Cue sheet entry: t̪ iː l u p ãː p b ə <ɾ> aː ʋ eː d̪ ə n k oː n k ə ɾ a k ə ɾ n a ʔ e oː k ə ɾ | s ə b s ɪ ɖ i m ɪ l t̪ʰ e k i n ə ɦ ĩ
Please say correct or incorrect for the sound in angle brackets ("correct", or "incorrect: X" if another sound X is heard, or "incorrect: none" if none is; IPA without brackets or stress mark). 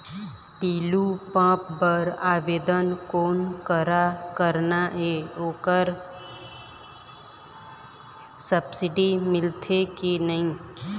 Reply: correct